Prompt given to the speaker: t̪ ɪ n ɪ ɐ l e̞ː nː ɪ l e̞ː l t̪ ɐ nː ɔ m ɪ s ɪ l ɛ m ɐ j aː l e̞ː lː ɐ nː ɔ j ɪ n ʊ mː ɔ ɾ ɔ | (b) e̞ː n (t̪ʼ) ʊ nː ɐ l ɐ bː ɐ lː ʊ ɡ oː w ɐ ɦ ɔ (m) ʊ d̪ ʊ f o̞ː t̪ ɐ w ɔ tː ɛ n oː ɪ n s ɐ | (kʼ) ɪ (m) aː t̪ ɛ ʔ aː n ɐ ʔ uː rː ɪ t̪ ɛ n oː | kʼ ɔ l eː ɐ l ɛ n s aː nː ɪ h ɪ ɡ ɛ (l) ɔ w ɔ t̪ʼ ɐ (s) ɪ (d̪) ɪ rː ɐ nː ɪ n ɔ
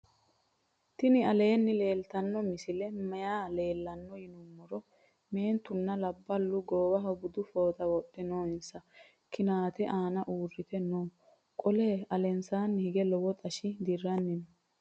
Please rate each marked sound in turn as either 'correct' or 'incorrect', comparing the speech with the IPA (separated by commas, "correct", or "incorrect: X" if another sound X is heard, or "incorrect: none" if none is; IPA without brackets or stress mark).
incorrect: m, incorrect: t̪, incorrect: b, incorrect: k, incorrect: n, correct, incorrect: ʃ, correct